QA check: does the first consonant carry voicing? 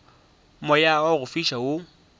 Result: yes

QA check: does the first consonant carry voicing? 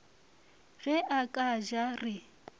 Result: yes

